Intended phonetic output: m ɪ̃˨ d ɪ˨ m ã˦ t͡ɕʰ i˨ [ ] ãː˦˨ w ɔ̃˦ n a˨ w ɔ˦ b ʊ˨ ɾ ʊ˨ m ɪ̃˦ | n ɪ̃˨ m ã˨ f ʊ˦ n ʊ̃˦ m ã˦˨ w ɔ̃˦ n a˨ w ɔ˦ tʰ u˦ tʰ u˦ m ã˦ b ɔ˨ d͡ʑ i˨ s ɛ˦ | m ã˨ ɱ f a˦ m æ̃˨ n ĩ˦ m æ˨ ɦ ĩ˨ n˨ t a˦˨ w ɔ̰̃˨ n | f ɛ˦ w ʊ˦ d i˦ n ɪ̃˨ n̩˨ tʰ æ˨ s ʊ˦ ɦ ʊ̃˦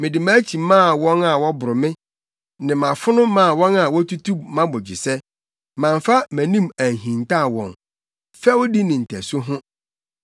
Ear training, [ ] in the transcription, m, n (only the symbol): m